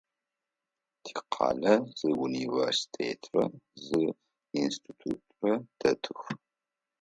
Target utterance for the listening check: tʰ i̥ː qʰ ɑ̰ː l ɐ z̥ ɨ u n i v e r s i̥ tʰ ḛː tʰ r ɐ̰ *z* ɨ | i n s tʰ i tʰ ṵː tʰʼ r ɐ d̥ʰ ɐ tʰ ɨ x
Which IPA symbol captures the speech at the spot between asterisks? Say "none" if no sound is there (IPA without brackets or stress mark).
z